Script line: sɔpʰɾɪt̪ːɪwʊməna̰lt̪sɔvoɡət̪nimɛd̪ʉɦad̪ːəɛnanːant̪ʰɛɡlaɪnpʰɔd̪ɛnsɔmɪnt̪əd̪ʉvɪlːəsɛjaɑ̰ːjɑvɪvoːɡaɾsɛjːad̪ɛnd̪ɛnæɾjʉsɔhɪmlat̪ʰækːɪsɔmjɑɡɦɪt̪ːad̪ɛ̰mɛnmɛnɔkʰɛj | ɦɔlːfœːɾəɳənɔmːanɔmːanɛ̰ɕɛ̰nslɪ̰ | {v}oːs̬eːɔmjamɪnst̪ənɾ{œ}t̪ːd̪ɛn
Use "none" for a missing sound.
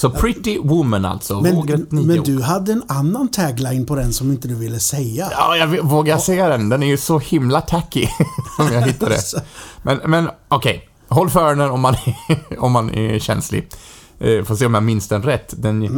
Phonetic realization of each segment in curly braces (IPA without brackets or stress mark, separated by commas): f, ɛ